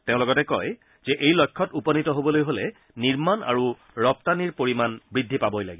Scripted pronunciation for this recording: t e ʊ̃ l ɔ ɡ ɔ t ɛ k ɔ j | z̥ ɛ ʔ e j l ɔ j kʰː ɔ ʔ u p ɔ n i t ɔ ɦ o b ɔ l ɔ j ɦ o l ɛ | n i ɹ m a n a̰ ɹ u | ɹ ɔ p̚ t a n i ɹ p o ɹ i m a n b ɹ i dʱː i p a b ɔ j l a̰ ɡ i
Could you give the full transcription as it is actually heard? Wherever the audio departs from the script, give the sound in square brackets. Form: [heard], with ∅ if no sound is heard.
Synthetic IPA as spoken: t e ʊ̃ l ɔ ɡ ɔ t ɛ k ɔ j | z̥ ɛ ʔ e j l ɔ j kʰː ɔ [t] u p ɔ n i t ɔ ɦ o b ɔ l [o] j ɦ o l ɛ | n i ɹ m a n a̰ ɹ u | ɹ ɔ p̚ t a n i ɹ p o ɹ i m a n b ɹ i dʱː i p a b ɔ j l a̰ ɡ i